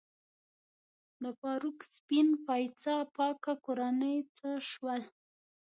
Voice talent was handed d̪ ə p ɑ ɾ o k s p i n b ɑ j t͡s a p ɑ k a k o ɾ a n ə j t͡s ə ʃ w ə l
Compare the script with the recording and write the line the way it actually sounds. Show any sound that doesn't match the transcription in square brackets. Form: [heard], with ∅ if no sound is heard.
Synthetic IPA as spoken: d̪ ə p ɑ ɾ [u] k s p i n [p] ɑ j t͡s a p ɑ k a k o ɾ a n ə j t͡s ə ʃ w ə l

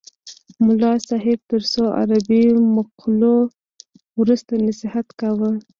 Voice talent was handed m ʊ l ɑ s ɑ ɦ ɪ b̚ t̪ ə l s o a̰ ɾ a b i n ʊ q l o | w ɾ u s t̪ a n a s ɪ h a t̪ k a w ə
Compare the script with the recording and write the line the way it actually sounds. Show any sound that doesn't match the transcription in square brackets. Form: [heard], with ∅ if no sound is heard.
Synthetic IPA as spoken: m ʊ l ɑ s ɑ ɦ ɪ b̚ t̪ ə [ɾ] s o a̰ ɾ a b i [m] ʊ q l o | w ɾ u s t̪ a n a s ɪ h a t̪ k a w ə

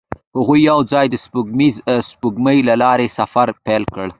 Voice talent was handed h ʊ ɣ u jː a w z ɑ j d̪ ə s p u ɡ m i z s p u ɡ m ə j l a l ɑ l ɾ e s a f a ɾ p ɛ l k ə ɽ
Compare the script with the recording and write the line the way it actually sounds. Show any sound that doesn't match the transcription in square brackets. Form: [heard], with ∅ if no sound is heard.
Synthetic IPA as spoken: h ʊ ɣ u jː a w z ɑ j d̪ ə s p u ɡ m i z s p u ɡ m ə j l a l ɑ [∅] ɾ e s a f a ɾ p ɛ l k ə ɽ

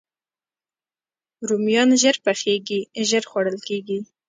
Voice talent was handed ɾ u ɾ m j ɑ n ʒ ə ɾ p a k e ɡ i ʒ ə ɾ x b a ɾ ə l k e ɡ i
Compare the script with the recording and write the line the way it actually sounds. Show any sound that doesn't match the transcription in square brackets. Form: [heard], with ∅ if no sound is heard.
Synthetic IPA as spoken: ɾ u [∅] m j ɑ n ʒ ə ɾ p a [x] e ɡ i ʒ ə ɾ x [w] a [ɽ] ə l k e ɡ i

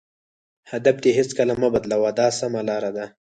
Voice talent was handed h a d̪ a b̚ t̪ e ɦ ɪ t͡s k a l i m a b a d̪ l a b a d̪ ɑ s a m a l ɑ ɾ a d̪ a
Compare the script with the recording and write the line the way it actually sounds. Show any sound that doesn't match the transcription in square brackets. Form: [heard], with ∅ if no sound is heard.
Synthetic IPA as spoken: h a d̪ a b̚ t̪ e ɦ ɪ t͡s k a l [a] m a b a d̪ l a [w] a d̪ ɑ s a m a l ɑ ɾ a d̪ a

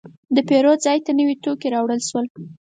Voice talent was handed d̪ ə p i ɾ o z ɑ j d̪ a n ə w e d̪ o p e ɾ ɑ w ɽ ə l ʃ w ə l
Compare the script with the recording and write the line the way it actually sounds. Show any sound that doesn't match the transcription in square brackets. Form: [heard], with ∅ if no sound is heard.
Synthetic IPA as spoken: d̪ ə p [e] ɾ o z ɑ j [t̪] a n ə w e [t̪] o [k] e ɾ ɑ w ɽ ə l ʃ w ə l

